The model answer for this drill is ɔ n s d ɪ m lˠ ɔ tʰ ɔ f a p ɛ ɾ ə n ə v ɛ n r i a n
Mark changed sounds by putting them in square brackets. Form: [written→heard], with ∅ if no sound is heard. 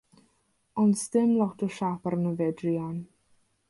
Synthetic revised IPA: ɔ n s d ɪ m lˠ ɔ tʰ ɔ [f→ʃ] a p [ɛ→a] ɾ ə n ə v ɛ [n→d] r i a n

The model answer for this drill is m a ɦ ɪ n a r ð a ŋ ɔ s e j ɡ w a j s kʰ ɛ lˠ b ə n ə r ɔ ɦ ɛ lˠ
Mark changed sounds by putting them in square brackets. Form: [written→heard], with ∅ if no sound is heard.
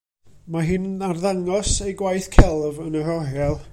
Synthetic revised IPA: m a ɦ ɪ n a r ð a ŋ ɔ s e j ɡ w a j [s→θ] kʰ ɛ lˠ [b→v] ə n ə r ɔ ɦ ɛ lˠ

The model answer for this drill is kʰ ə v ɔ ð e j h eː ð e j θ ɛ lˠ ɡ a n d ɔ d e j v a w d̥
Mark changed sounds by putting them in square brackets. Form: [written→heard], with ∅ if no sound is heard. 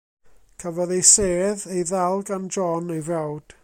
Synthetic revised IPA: kʰ ə v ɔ ð e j [h→s] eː ð e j [θ→ð] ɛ lˠ ɡ a n [d→d͡ʒ] ɔ [d→n] e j v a w d̥

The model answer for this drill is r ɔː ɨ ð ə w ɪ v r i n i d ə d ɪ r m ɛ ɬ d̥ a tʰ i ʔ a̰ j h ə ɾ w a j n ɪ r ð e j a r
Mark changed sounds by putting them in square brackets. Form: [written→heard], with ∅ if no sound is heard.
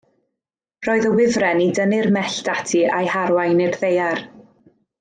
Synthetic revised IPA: r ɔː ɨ ð ə w ɪ v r [i→ɛ] n i d ə [d→n] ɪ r m ɛ ɬ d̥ a tʰ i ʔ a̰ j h [ə→a] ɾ w a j n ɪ r ð e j a r

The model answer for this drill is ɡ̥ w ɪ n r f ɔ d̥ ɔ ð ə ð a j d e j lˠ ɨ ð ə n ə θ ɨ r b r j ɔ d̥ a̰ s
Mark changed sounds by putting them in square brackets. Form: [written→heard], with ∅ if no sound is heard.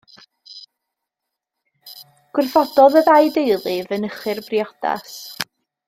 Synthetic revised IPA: ɡ̥ w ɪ [n→∅] r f ɔ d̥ ɔ ð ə ð a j d e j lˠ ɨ [ð→v] ə n ə [θ→χ] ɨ r b r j ɔ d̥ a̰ s

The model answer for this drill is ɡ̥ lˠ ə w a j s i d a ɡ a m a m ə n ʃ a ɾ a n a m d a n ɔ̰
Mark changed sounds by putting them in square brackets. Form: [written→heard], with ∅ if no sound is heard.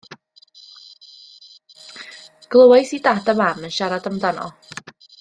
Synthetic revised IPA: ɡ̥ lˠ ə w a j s i d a [ɡ→d] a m a m ə n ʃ a ɾ a [n→d] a m d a n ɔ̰

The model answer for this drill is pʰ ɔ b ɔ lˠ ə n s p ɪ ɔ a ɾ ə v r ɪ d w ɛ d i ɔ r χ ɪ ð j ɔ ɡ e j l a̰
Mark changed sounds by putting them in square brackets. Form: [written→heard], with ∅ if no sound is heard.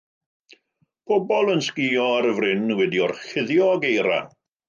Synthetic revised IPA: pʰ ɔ b ɔ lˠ ə n s [p→k] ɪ ɔ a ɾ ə v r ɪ [d→n] w ɛ d i ɔ r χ ɪ ð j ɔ ɡ e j [l→ɾ] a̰

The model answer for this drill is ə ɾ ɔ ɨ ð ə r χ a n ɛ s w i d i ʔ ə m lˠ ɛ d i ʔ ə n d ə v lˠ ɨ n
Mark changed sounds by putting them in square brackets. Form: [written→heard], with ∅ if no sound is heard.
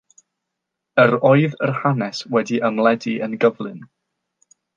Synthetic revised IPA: ə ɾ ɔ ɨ ð ə r [χ→h] a n ɛ s w [i→ɛ] d i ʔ ə m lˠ ɛ d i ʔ ə n [d→ɡ] ə v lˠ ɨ n

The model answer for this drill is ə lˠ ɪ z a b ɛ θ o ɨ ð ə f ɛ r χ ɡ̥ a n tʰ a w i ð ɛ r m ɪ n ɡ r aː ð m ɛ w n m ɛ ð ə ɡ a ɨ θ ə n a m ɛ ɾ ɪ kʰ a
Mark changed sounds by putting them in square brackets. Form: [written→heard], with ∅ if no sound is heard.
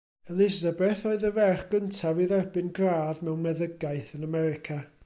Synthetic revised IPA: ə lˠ ɪ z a b ɛ θ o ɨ ð ə [f→v] ɛ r χ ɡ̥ [a→ə] n tʰ a [w→v] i ð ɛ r [m→b] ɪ n ɡ r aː ð m ɛ w n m ɛ ð ə ɡ a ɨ θ ə n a m ɛ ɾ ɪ kʰ a

